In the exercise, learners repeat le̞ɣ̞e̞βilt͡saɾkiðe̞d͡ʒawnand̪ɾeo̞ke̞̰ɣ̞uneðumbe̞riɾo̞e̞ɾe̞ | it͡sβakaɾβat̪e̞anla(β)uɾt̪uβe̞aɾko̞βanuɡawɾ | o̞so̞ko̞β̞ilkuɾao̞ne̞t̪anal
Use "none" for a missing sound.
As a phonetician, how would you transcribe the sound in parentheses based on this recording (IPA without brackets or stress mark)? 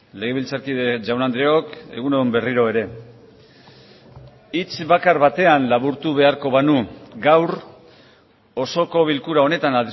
β